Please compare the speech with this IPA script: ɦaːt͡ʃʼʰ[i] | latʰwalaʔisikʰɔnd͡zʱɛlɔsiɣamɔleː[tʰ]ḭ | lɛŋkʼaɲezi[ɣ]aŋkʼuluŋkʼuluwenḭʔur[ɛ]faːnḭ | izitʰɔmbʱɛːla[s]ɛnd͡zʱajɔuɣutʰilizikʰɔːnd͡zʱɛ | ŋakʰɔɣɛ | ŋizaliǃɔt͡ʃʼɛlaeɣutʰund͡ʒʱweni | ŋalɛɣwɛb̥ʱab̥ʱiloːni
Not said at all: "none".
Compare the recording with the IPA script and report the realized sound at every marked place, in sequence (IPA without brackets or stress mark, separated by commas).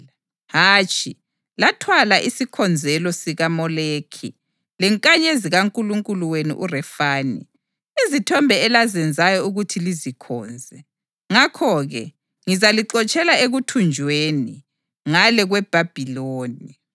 i, kʰ, ɣ, ɛ, z